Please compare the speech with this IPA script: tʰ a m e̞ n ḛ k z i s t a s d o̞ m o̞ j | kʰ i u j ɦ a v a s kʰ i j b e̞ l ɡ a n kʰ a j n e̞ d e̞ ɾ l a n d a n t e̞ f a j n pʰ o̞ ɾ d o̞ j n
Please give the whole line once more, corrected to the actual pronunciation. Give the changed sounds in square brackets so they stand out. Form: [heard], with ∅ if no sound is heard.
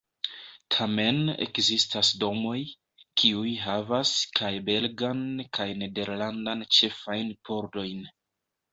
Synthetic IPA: tʰ a m e̞ n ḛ k z i s t a s d o̞ m o̞ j | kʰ i u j ɦ a v a s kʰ [a] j b e̞ l ɡ a n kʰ a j n e̞ d e̞ ɾ l a n d a n [t͡ʃ] e̞ f a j n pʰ o̞ ɾ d o̞ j n